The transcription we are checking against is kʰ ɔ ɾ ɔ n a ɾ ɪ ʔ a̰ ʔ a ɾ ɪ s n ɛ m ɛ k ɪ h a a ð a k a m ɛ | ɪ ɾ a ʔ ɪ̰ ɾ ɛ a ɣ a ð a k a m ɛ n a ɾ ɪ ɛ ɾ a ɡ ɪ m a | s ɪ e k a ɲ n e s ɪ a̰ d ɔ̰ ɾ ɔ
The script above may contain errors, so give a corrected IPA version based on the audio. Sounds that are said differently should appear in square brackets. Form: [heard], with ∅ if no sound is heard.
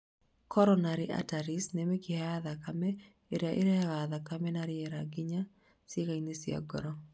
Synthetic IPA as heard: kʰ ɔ ɾ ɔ n a ɾ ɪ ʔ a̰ [t] a ɾ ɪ s n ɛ m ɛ k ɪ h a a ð a k a m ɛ | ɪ ɾ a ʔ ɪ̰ ɾ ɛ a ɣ a ð a k a m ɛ n a ɾ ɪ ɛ ɾ a ɡ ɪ [ɲ] a | s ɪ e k a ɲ n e s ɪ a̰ [ɡ] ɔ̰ ɾ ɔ